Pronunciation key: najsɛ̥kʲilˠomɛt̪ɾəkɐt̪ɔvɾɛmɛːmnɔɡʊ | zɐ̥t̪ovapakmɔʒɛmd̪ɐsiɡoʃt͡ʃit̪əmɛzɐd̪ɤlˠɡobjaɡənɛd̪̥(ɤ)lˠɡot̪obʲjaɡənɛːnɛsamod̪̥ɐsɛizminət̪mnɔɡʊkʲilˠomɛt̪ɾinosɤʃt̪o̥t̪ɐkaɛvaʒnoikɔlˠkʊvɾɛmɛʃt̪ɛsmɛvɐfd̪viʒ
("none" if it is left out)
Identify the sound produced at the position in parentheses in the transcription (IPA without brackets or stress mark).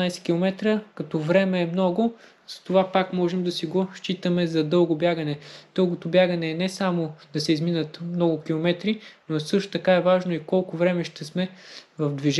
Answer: ɤ